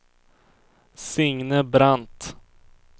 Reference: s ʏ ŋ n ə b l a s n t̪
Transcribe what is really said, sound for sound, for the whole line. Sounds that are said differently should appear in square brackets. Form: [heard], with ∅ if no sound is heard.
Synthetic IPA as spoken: s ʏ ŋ n ə b [ɾ] a [∅] n t̪